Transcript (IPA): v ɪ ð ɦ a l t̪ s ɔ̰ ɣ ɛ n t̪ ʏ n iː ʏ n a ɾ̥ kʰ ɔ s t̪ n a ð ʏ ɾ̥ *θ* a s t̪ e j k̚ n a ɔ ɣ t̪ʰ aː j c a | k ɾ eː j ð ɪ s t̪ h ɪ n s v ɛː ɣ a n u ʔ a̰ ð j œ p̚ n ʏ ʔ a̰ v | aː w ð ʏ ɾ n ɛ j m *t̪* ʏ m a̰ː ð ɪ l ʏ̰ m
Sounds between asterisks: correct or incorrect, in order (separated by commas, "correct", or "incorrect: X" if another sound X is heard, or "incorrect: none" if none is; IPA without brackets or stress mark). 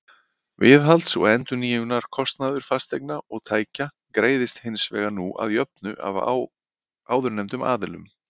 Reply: incorrect: f, correct